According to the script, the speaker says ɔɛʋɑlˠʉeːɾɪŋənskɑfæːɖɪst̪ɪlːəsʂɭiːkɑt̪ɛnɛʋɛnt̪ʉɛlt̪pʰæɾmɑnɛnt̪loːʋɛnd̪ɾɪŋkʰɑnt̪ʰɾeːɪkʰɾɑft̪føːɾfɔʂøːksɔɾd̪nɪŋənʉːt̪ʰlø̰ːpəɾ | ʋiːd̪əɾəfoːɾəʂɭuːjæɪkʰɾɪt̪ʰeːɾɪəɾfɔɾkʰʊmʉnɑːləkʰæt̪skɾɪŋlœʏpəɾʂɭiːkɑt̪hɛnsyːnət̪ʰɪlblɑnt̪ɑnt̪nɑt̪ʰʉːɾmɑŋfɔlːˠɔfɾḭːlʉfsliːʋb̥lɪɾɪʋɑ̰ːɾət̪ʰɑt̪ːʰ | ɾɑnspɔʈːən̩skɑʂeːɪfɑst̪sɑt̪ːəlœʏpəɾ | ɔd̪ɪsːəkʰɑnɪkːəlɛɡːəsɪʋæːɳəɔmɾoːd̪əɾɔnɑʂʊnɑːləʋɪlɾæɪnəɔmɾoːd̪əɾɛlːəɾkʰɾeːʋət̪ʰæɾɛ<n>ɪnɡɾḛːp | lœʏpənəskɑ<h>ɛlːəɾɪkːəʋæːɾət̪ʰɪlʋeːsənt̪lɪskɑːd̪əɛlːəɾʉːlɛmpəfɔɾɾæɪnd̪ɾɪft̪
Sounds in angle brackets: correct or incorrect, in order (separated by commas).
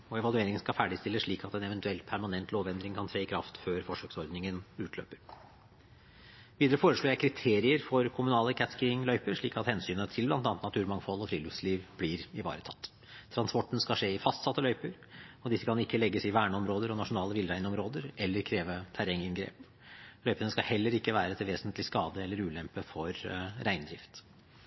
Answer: incorrect, correct